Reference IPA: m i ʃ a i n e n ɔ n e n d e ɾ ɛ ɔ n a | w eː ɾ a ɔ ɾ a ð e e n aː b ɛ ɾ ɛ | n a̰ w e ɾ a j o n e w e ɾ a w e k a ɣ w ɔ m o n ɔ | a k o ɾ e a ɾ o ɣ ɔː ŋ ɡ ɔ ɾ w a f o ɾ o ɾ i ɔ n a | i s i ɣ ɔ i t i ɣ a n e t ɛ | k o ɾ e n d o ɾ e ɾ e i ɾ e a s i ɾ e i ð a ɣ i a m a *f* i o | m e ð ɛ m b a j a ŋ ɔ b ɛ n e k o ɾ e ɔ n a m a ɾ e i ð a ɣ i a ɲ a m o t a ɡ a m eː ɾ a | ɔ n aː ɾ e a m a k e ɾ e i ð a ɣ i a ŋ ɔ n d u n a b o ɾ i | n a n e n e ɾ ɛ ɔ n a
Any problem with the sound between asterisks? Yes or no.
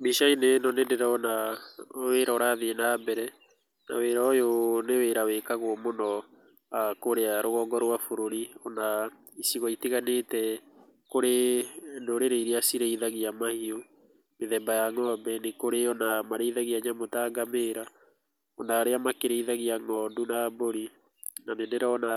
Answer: yes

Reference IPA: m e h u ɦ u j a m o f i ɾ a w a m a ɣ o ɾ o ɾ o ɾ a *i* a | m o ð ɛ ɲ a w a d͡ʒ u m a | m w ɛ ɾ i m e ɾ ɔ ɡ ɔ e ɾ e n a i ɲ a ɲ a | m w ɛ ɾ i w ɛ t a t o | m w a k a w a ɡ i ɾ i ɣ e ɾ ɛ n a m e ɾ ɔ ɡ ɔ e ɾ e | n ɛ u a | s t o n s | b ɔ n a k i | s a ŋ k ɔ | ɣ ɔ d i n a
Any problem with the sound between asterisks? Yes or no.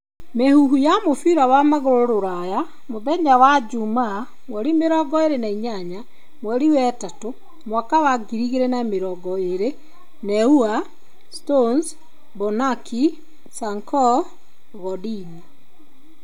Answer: yes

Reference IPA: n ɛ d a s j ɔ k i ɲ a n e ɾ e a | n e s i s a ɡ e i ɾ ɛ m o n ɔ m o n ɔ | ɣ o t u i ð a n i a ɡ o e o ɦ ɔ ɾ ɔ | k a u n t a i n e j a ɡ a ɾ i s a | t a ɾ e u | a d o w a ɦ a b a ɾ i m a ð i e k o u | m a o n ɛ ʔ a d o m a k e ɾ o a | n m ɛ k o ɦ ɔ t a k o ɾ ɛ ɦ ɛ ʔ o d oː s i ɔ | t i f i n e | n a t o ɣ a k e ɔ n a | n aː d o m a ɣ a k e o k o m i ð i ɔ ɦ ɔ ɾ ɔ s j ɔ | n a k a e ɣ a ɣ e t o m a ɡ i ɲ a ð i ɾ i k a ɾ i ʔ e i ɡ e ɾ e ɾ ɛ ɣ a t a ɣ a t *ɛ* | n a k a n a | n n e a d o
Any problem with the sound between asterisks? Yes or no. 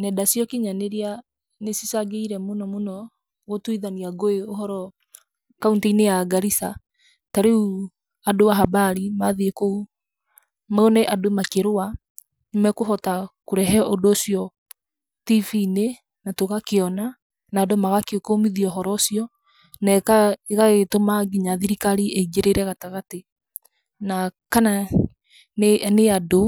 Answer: yes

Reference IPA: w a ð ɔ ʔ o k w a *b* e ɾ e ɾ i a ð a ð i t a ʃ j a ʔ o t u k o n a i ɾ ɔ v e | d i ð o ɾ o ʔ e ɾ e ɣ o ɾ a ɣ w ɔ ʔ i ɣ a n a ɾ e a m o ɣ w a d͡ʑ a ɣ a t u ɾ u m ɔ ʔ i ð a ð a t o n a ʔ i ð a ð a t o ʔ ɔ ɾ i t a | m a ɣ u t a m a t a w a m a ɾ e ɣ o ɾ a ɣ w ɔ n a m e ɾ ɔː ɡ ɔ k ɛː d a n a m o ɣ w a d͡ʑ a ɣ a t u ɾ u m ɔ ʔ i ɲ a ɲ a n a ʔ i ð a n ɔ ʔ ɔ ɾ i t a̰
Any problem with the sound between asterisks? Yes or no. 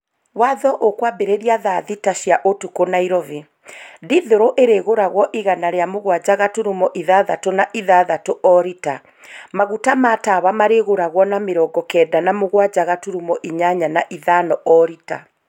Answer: no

